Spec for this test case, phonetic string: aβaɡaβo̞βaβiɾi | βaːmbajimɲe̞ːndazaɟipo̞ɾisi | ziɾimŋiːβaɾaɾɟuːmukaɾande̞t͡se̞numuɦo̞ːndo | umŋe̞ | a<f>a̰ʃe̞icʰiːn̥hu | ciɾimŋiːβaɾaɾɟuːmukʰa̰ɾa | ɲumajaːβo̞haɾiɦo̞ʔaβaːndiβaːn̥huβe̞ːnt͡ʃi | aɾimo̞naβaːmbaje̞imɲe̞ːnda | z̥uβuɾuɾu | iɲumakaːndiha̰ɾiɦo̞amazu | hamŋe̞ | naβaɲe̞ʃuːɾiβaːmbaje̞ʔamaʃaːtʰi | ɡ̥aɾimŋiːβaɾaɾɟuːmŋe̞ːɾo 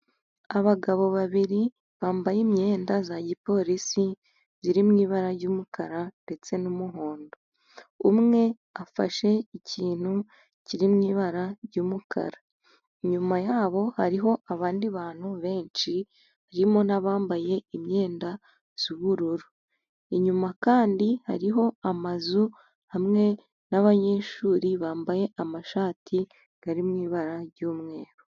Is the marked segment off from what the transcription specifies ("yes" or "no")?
no